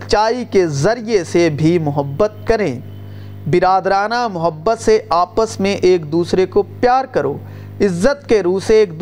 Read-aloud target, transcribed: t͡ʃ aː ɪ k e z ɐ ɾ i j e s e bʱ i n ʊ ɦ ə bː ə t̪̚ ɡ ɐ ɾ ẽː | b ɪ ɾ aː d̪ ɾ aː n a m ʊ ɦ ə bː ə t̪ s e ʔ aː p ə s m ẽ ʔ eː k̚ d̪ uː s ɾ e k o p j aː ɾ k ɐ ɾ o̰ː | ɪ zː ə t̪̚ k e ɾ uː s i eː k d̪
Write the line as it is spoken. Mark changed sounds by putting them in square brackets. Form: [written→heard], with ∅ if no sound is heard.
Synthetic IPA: t͡ʃ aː [ɪ→i] k e z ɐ ɾ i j e s e bʱ i [n→m] ʊ ɦ ə bː ə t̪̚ [ɡ→k] ɐ ɾ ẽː | b ɪ ɾ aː d̪ ɾ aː n a m ʊ ɦ ə bː ə t̪ s e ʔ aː p ə s m ẽ ʔ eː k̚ d̪ uː s ɾ e k o p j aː ɾ k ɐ ɾ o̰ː | ɪ zː ə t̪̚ k e ɾ uː s [i→e] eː k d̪